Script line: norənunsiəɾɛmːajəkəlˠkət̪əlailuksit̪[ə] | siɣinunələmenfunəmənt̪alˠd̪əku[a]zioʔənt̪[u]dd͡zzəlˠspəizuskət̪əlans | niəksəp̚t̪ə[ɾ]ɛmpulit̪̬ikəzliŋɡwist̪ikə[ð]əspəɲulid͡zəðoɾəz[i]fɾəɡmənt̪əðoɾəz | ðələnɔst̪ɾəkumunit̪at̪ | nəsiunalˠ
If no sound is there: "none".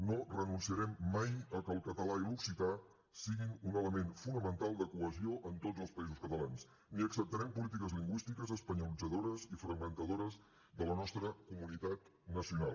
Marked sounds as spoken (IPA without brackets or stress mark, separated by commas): a, ə, o, ɾ, z, i